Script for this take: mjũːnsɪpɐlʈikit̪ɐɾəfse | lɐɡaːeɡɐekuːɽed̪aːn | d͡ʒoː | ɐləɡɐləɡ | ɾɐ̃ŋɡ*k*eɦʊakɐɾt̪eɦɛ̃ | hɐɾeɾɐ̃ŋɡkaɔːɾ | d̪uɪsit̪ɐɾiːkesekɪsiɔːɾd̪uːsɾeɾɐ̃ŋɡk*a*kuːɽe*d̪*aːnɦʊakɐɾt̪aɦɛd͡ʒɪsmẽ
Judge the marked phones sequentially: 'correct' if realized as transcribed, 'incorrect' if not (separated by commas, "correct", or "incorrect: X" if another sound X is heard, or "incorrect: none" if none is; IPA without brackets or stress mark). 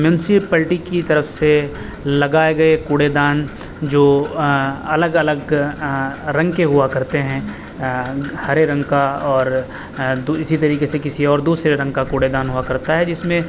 correct, correct, correct